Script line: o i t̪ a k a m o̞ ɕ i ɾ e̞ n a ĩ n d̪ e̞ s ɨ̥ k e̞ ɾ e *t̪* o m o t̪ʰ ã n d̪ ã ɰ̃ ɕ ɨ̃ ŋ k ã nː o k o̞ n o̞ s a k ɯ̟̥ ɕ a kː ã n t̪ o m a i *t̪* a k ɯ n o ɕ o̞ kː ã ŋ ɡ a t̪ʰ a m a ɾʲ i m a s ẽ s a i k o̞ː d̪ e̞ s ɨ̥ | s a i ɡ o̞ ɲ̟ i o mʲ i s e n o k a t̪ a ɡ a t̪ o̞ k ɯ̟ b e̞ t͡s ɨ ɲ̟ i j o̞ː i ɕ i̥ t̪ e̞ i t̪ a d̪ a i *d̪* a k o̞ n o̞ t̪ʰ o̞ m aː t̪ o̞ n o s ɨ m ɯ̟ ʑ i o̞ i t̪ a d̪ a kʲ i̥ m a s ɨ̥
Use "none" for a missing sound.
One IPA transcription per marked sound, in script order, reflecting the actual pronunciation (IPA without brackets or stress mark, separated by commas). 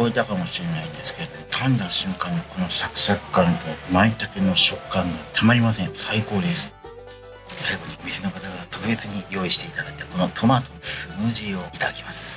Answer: d̪, t̪, t̪